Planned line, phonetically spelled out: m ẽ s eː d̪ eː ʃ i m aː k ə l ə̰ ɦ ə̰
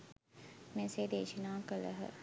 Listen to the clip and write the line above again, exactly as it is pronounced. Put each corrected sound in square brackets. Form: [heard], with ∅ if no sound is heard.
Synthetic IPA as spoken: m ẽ s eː d̪ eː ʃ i [n] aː k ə l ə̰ ɦ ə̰